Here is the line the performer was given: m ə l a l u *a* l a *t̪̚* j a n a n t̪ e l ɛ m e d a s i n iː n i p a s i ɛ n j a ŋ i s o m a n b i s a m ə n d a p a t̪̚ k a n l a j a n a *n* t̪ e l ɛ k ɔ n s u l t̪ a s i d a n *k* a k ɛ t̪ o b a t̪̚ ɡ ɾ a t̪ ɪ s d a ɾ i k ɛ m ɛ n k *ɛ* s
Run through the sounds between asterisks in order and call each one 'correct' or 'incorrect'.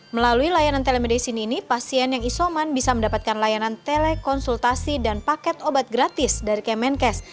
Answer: incorrect: i, incorrect: none, correct, incorrect: p, correct

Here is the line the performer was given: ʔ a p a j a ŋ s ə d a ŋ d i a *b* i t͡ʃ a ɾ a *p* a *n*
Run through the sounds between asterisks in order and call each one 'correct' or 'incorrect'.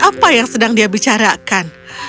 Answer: correct, incorrect: k, correct

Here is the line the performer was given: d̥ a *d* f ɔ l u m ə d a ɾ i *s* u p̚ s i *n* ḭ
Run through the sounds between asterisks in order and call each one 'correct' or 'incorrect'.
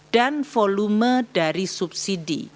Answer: incorrect: n, correct, incorrect: d

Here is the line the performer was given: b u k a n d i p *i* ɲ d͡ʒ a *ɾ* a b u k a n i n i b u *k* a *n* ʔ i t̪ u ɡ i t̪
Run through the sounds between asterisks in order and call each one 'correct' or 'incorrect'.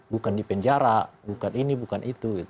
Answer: incorrect: ɛ, correct, correct, correct

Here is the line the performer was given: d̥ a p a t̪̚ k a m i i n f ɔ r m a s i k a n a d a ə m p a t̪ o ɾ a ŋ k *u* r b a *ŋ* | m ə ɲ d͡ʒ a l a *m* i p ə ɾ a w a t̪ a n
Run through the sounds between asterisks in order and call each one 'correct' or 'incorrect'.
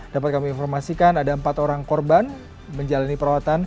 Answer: incorrect: ɔ, incorrect: n, incorrect: n

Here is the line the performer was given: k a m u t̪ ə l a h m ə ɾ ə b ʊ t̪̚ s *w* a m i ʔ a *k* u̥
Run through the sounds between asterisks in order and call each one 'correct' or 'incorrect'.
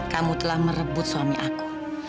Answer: correct, correct

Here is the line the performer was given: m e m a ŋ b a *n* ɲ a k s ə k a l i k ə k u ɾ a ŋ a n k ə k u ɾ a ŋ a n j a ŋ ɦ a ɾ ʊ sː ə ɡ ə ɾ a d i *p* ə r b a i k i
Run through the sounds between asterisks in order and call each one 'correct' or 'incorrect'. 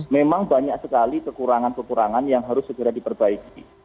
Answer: incorrect: none, correct

